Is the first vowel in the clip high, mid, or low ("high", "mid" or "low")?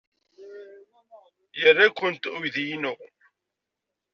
mid